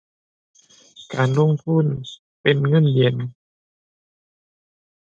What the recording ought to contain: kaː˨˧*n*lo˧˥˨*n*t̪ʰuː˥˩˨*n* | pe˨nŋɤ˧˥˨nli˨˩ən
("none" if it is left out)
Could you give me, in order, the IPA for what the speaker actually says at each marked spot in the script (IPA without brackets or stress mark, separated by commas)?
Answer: n, ŋ, n